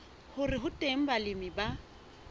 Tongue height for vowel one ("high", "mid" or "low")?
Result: high